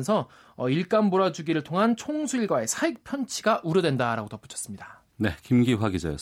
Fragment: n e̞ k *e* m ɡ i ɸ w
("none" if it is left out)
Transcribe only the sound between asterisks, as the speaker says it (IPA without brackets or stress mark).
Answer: i